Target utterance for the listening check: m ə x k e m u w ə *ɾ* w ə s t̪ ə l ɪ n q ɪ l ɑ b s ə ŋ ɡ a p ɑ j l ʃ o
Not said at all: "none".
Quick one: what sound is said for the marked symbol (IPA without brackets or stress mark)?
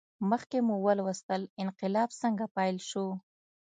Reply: l